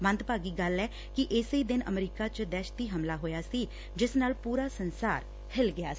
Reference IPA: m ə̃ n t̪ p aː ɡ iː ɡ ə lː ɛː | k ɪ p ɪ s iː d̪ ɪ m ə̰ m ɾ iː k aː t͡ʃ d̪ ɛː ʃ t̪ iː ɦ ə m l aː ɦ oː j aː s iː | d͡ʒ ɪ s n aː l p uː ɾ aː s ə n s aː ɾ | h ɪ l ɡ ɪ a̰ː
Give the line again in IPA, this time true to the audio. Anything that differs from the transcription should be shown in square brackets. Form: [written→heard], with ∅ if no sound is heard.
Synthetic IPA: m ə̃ n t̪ p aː ɡ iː ɡ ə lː ɛː | k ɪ [p→ʔ] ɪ s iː d̪ ɪ [m→n] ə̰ m ɾ iː k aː t͡ʃ d̪ ɛː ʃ t̪ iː ɦ ə m l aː ɦ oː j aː s iː | d͡ʒ ɪ s n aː l p uː ɾ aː s ə n s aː ɾ | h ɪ l ɡ ɪ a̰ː

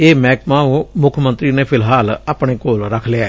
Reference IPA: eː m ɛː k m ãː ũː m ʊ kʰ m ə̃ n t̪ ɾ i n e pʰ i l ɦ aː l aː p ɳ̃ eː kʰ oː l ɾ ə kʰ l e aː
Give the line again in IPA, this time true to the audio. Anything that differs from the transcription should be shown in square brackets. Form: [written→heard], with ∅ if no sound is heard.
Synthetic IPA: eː m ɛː k m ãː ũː m ʊ kʰ m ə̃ n t̪ ɾ i n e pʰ [i→ɪ] l ɦ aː l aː p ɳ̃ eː [kʰ→k] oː l ɾ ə kʰ l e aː

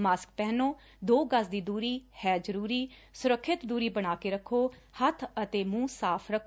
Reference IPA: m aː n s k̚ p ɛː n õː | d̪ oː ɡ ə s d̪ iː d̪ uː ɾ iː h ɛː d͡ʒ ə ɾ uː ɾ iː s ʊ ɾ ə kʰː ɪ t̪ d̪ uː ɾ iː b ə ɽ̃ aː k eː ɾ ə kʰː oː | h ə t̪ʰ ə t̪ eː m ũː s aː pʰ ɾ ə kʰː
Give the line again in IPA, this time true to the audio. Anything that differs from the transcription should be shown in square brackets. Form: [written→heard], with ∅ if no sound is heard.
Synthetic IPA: m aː [n→∅] s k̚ p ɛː n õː | d̪ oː ɡ ə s d̪ iː d̪ uː ɾ iː h ɛː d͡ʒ ə ɾ uː ɾ iː s ʊ ɾ ə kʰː ɪ t̪ d̪ uː ɾ iː b ə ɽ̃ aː k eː ɾ ə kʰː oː | h ə t̪ʰ ə t̪ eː m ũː s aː pʰ ɾ ə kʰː

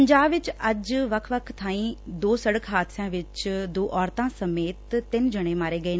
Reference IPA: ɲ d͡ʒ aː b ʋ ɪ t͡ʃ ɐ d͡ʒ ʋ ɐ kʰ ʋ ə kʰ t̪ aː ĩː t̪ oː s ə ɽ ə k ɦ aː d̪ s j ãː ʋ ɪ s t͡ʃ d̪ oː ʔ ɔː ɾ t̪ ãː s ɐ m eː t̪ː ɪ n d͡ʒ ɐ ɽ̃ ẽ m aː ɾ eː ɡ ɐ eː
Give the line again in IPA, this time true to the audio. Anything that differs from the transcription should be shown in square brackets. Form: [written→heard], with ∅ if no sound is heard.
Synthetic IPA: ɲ d͡ʒ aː b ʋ ɪ t͡ʃ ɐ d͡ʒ ʋ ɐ kʰ ʋ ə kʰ [t̪→t̪ʰ] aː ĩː [t̪→d̪] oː s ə ɽ ə k ɦ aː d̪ s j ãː ʋ ɪ [s→∅] t͡ʃ d̪ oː ʔ ɔː ɾ t̪ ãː s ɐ m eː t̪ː ɪ n d͡ʒ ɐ ɽ̃ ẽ m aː ɾ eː ɡ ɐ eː

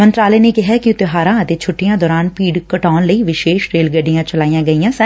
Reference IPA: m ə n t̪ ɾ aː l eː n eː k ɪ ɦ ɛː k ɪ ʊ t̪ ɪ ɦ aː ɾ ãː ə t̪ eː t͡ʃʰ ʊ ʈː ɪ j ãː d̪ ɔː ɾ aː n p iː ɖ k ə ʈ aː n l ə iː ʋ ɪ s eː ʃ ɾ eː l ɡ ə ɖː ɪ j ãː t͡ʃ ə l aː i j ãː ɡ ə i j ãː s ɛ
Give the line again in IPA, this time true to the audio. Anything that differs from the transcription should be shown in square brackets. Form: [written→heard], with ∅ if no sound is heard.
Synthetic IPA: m ə n t̪ ɾ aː l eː n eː k ɪ ɦ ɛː k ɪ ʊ t̪ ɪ ɦ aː ɾ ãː ə t̪ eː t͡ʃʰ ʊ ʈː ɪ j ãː d̪ ɔː ɾ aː n p iː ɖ k ə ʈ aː n l ə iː ʋ ɪ [s→ʃ] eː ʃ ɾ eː l ɡ ə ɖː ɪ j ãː t͡ʃ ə l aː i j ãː ɡ ə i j ãː s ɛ

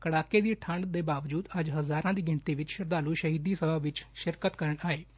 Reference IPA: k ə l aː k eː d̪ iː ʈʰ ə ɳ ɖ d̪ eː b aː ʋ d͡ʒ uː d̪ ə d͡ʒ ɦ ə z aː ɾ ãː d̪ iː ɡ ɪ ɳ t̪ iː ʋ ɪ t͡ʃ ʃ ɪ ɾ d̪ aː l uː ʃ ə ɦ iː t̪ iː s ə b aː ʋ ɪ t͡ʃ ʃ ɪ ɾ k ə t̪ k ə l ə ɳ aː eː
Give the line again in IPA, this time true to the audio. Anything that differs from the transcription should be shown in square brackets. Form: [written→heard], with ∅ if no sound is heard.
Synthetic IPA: k ə [l→ɽ] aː k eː d̪ iː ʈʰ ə ɳ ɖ d̪ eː b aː ʋ d͡ʒ uː d̪ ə d͡ʒ ɦ ə z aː ɾ ãː d̪ iː ɡ ɪ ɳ t̪ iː ʋ ɪ t͡ʃ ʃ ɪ ɾ d̪ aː l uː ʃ ə ɦ iː [t̪→d̪] iː s ə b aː ʋ ɪ t͡ʃ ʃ ɪ ɾ k ə t̪ k ə [l→ɾ] ə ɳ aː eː

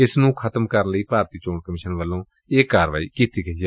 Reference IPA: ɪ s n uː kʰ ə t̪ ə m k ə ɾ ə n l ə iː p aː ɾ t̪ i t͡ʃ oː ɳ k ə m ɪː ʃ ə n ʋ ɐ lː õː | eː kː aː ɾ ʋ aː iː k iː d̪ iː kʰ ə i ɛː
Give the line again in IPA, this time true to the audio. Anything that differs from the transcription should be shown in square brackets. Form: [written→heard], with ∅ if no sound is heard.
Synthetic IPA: ɪ s n [uː→ũː] kʰ ə t̪ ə m k ə ɾ ə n l ə iː p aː ɾ t̪ [i→iː] t͡ʃ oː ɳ k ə m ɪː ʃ ə n ʋ [ɐ→ə] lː õː | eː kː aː ɾ ʋ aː iː k iː [d̪→t̪] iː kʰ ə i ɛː

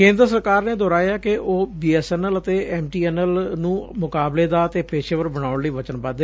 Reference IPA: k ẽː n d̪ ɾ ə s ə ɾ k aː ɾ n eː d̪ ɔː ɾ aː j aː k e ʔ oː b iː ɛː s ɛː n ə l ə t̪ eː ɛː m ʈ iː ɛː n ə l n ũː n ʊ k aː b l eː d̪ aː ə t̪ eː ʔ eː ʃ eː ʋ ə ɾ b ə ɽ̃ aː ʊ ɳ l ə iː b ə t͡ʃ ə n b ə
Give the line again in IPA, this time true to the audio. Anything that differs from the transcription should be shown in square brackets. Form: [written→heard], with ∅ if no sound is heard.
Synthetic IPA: k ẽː n d̪ ɾ ə s ə ɾ k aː ɾ n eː d̪ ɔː ɾ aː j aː k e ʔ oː b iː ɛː s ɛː n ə l ə t̪ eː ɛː m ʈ iː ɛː n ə l n ũː [n→m] ʊ k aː b l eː d̪ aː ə t̪ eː [ʔ→p] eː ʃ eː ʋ ə ɾ b ə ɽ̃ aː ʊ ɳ l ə iː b ə t͡ʃ ə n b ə

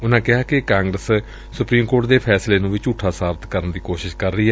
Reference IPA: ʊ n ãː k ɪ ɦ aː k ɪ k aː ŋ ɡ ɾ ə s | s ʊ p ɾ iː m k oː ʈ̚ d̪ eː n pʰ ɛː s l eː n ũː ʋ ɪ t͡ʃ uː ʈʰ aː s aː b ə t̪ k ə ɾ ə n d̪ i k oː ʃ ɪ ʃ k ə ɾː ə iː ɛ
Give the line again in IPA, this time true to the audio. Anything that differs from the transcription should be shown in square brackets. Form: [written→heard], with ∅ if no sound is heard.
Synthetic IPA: ʊ n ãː k ɪ ɦ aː k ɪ k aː ŋ ɡ ɾ ə s | s ʊ p ɾ iː m k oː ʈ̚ d̪ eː [n→∅] pʰ ɛː s l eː n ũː ʋ ɪ t͡ʃ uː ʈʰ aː s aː b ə t̪ k ə ɾ ə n d̪ [i→iː] k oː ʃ ɪ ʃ k ə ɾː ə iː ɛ

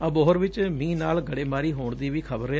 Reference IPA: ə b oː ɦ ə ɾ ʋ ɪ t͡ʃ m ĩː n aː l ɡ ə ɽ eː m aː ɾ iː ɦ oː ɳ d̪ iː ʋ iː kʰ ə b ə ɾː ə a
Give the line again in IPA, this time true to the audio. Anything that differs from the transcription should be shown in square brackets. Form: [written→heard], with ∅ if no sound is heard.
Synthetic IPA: ə b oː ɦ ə ɾ ʋ ɪ t͡ʃ m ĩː n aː l ɡ ə ɽ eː m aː ɾ iː ɦ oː ɳ d̪ iː ʋ iː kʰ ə b ə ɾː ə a

